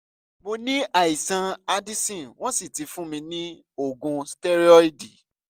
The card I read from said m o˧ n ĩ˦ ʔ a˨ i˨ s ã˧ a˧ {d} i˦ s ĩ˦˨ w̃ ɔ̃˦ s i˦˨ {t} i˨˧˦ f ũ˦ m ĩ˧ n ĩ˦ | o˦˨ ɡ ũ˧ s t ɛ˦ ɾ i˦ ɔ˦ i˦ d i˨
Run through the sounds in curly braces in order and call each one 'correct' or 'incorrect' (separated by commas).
correct, correct